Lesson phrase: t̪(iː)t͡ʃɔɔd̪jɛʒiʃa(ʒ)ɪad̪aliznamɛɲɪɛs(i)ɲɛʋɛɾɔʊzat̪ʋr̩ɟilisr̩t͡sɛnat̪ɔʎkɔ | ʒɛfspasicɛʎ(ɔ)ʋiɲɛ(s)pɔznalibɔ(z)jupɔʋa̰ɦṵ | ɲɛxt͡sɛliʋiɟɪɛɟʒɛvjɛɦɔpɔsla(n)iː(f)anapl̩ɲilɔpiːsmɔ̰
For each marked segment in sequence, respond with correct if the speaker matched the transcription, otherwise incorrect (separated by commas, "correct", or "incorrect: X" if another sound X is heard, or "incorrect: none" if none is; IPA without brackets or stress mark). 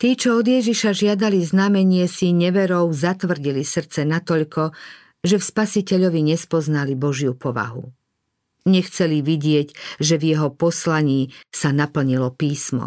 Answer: correct, correct, correct, correct, correct, incorrect: ʒ, incorrect: ɲ, incorrect: s